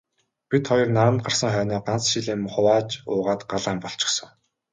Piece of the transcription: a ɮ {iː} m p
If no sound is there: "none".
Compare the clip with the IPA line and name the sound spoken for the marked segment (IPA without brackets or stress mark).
aː